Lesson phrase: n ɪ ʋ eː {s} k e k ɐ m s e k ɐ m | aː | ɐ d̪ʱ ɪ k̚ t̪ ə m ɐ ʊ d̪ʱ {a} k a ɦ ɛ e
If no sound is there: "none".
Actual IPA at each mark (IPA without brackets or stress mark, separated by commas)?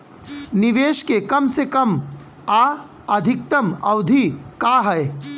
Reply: ʃ, i